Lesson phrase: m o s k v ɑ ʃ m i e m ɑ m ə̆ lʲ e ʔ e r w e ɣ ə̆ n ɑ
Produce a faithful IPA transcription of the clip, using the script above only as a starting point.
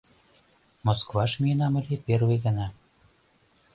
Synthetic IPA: m o s k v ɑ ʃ m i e n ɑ m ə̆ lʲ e p e r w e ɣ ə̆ n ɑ